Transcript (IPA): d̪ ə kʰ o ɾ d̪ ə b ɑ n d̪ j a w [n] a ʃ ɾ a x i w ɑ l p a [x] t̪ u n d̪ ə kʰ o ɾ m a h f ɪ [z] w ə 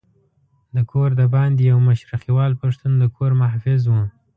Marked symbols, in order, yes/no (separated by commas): no, no, yes